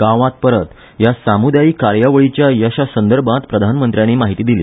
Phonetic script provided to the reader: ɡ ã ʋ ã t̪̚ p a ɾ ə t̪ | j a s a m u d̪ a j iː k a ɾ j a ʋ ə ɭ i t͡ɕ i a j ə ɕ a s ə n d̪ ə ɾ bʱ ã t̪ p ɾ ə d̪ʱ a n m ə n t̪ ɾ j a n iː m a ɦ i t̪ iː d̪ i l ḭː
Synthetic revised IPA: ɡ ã ʋ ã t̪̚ p ə ɾ ə t̪ | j a s a m u d̪ a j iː k a ɾ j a ʋ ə ɭ i t͡ɕ j a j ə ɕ a s ə n d̪ ə ɾ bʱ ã t̪ p ɾ ə d̪ʱ a n m ə n t̪ ɾ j a n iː m a ɦ i t̪ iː d̪ i l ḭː